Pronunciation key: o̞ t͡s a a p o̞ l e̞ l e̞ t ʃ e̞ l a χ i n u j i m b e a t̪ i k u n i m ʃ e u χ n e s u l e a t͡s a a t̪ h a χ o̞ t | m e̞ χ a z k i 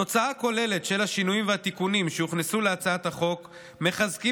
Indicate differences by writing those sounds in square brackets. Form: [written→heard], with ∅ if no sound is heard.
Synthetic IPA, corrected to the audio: o̞ t͡s a a [p→k] o̞ l e̞ l e̞ t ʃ e̞ l a [χ→ʃ] i n u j i m [b→v] e a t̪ i k u n i m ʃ e u χ n e s u l e a t͡s a a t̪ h a χ o̞ [t→k] | m e̞ χ a z k i